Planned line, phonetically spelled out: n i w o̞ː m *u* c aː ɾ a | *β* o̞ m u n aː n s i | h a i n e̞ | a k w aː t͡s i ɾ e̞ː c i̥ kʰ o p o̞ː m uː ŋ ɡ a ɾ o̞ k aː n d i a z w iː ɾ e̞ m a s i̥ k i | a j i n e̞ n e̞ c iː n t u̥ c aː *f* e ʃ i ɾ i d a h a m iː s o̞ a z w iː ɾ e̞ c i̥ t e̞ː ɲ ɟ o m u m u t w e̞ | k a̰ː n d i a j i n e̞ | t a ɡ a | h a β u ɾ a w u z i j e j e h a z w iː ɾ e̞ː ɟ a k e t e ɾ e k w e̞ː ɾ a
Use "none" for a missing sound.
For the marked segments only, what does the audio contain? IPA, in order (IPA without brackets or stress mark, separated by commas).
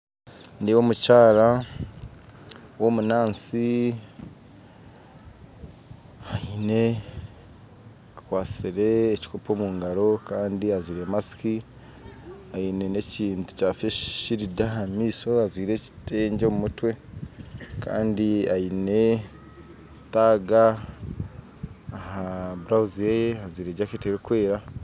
u, w, f